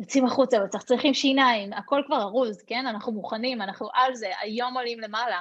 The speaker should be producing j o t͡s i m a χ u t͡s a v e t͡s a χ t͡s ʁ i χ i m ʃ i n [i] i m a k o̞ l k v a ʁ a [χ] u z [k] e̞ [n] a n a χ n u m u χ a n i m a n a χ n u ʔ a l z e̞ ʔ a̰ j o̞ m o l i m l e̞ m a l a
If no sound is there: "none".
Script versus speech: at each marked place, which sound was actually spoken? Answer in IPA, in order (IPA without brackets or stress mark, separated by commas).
a, ʁ, k, n